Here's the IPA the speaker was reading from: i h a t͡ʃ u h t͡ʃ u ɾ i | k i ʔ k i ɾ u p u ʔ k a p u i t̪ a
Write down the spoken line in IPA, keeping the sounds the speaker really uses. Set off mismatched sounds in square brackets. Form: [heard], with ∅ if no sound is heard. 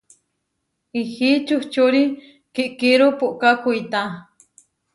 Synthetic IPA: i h [i] t͡ʃ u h t͡ʃ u ɾ i | k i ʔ k i ɾ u p u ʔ k a [k] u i t̪ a